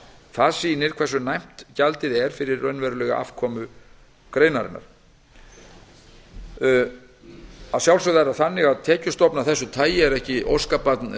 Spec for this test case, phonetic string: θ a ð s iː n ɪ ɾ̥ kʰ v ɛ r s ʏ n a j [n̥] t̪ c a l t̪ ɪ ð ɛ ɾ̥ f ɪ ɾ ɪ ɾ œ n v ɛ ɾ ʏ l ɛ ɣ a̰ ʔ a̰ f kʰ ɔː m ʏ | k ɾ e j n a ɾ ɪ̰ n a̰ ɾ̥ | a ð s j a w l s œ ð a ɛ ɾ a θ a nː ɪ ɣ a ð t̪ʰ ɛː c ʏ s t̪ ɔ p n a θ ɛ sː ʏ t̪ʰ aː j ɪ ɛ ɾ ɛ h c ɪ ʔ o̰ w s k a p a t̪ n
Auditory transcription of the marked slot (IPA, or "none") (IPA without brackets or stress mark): m̥